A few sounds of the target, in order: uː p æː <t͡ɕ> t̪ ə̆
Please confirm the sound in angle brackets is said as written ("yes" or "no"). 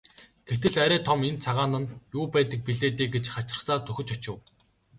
no